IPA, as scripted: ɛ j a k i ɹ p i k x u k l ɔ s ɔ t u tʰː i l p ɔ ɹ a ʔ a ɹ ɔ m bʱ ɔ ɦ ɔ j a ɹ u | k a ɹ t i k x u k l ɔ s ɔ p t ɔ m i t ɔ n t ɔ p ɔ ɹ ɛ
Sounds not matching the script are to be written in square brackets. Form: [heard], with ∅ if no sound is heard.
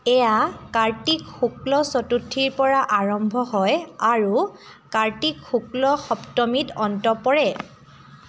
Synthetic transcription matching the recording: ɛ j a k [a] ɹ [t] i k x u k l ɔ s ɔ t u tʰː i [ɹ] p ɔ ɹ a ʔ a ɹ ɔ m bʱ ɔ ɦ ɔ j a ɹ u | k a ɹ t i k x u k l ɔ [x] ɔ p t ɔ m i t ɔ n t ɔ p ɔ ɹ ɛ